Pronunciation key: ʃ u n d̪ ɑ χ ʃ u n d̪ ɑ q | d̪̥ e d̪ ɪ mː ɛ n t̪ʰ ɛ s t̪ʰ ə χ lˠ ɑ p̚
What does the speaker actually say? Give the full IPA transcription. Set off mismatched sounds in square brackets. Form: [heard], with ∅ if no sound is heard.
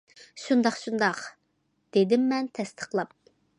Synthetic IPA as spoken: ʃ u n d̪ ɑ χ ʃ u n d̪ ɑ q | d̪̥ e d̪ ɪ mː ɛ n t̪ʰ ɛ s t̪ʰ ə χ lˠ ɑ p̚